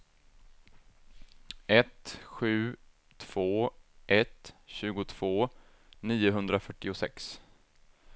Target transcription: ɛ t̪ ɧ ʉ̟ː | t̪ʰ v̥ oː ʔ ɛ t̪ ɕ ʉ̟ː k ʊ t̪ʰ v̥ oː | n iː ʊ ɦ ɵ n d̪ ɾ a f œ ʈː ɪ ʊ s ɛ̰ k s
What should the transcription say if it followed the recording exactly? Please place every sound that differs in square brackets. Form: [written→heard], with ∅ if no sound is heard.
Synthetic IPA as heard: ɛ t̪ ɧ ʉ̟ː | t̪ʰ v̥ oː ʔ ɛ t̪ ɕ ʉ̟ː [k→ɡ] ʊ t̪ʰ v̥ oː | n iː ʊ ɦ ɵ n d̪ ɾ a f œ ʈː ɪ ʊ s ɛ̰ k s